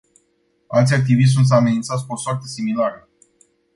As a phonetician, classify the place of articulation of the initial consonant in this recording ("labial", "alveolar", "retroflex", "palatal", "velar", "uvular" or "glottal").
alveolar